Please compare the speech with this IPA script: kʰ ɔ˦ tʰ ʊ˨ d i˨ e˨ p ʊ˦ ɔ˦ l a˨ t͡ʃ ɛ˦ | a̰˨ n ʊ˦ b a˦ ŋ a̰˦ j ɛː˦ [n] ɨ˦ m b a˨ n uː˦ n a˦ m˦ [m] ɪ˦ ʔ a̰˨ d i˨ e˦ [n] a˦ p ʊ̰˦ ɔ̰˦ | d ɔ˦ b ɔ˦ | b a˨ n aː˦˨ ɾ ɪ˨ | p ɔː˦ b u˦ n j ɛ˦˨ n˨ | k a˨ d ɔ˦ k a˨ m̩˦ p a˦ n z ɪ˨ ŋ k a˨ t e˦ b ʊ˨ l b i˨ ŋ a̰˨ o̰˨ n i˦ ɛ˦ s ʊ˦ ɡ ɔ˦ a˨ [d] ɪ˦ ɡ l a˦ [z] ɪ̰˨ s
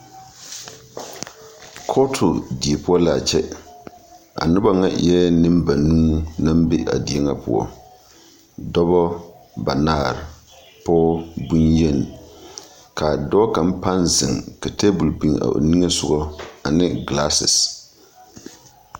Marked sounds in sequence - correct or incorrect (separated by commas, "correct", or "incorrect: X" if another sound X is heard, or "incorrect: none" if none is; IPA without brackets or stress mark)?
correct, incorrect: b, incorrect: ŋ, incorrect: n, incorrect: s